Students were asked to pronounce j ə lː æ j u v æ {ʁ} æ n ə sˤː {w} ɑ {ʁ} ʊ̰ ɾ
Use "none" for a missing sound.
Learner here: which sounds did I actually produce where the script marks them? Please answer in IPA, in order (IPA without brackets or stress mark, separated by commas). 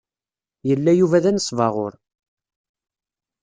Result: ð, v, ʁ